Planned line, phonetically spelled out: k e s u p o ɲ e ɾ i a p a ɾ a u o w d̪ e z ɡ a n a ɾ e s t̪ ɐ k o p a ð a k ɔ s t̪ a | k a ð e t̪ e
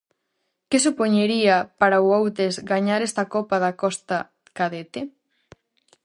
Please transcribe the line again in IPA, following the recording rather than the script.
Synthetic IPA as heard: k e s u p o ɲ e ɾ i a p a ɾ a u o w t̪ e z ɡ a ɲ a ɾ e s t̪ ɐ k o p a ð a k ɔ s t̪ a | k a ð e t̪ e